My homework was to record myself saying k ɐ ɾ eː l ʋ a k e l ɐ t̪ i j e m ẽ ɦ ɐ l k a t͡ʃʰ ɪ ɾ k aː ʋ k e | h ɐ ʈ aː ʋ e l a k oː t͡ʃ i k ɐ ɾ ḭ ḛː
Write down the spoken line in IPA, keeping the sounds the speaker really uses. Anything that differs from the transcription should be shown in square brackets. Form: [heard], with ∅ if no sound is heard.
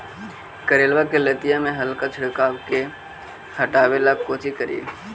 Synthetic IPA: k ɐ ɾ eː l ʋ a k e l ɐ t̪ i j [a] m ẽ ɦ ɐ l k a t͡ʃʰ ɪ [ɽ] k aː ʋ k e | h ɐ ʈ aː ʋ e l a k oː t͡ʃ i k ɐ ɾ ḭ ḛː